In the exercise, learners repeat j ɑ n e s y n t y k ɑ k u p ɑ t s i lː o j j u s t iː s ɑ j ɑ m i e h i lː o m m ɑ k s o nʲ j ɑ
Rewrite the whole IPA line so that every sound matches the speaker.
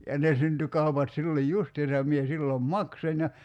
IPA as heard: j ɑ n e s y n t y k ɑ u p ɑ t s i lː o j j u s t iː s ɑ j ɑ m i e s i lː o m m ɑ k s o nʲ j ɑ